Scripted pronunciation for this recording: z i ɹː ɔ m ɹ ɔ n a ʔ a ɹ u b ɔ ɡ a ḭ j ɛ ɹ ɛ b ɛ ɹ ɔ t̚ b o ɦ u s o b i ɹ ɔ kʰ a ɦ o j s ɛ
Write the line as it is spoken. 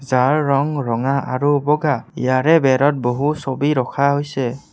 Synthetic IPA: z a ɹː ɔ ŋ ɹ ɔ ŋ a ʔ a ɹ u b ɔ ɡ a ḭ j a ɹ ɛ b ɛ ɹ ɔ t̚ b o ɦ u s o b i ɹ ɔ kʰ a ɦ o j s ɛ